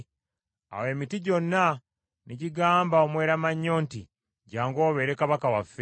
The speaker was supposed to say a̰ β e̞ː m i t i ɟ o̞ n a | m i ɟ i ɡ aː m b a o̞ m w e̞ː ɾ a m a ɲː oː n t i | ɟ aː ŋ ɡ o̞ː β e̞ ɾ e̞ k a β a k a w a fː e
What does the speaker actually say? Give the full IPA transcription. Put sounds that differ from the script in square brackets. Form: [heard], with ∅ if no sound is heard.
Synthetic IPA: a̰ [w] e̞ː m i t i ɟ o̞ [nː] a | [n] i ɟ i ɡ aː m b a o̞ m w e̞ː ɾ a m a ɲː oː n t i | ɟ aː ŋ ɡ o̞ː β e̞ ɾ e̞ k a β a k a w a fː e

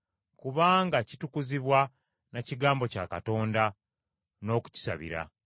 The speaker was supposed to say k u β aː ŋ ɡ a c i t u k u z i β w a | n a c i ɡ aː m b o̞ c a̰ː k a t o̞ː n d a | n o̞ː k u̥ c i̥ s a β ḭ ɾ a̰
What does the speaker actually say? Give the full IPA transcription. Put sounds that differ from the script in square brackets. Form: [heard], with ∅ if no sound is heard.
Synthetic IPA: k u β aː ŋ ɡ a c i t u k u z i β w a | n a c i ɡ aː m b o̞ c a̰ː k a t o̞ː n d a | n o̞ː k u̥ c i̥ s a β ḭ ɾ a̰

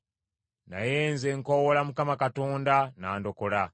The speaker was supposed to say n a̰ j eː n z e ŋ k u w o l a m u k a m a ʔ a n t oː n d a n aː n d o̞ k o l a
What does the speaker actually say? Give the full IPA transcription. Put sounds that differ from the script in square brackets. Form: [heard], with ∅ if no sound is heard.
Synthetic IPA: n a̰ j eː n z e ŋ k [o] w o l a m u k a m a [k] a [∅] t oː n d a n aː n d o̞ k o l a

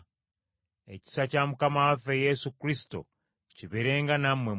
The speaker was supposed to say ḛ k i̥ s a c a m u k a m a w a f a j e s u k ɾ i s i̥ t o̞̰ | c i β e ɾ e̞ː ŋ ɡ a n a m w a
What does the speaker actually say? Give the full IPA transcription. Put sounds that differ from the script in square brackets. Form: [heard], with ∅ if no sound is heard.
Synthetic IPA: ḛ [c] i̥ s a c a m u k a m a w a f [e] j e s u k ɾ i s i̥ t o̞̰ | c i β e ɾ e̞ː ŋ ɡ a n a m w [e]

